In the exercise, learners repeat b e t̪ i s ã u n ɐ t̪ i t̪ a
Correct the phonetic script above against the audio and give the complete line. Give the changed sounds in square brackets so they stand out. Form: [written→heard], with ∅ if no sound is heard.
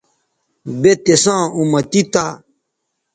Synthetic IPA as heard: b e t̪ [i→e] s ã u [n→m] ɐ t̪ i t̪ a